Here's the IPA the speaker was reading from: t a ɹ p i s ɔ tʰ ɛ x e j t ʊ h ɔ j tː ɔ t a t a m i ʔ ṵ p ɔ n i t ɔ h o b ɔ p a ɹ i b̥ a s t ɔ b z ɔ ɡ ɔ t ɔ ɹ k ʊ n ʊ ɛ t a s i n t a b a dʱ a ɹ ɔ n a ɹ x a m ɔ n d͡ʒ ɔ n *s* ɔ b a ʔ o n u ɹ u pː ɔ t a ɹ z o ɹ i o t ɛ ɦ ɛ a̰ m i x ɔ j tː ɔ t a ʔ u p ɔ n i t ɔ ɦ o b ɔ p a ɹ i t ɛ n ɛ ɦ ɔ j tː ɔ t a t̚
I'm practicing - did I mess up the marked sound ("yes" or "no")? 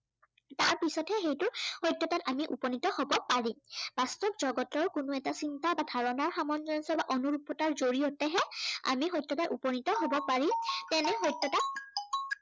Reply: no